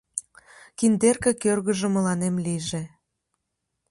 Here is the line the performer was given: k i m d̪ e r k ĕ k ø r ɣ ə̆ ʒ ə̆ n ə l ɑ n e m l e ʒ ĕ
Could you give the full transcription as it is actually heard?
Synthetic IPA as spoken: k i n d̪ e r k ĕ k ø r ɣ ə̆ ʒ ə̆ m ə l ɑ n e m l i ʒ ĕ